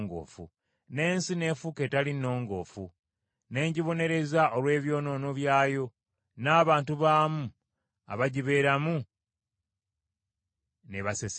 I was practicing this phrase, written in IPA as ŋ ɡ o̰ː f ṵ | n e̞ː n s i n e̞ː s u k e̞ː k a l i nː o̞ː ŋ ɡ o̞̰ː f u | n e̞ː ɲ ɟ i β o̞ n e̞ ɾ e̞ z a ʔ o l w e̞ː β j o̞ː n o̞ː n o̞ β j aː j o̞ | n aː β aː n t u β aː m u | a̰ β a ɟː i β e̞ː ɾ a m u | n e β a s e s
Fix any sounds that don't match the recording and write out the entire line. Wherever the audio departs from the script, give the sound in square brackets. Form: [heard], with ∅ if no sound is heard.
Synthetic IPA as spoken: ŋ ɡ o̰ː f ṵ | n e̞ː n s i n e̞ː [f] u k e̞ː [t] a l i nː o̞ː ŋ ɡ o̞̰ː f u | n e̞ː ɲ ɟ i β o̞ n e̞ ɾ e̞ z a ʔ o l w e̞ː β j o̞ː n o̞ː n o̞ β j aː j o̞ | n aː β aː n t u β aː m u | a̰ β a [ɟ] i β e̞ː ɾ a m u | n e β a s e s